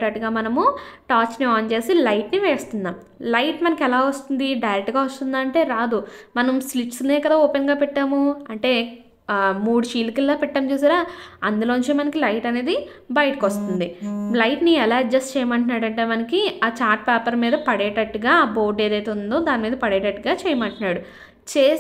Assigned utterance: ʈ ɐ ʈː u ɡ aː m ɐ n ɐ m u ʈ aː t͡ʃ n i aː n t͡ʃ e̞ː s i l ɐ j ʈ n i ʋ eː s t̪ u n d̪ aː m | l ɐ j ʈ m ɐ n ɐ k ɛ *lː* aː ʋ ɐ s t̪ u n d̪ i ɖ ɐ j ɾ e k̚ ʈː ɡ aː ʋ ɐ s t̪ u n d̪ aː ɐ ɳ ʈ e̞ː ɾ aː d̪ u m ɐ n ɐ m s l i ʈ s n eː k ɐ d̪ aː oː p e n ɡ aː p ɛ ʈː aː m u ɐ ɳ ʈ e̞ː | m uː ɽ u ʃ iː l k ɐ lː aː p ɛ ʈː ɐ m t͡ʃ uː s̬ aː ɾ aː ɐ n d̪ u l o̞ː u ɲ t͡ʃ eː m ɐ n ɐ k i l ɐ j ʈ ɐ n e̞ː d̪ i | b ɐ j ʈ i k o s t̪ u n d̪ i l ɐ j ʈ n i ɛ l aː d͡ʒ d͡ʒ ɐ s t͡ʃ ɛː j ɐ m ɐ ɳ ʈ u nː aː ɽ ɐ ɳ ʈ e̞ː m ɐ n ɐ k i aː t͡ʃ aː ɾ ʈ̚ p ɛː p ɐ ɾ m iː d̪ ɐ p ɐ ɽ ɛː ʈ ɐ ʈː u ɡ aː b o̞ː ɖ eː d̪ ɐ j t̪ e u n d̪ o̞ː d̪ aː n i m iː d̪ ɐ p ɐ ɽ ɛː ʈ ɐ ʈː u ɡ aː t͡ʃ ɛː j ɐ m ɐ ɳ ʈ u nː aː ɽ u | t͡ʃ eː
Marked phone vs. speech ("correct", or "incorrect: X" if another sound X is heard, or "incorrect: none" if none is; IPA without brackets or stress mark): incorrect: l